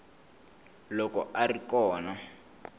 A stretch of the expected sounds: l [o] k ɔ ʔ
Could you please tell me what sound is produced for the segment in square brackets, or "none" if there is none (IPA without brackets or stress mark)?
ɔ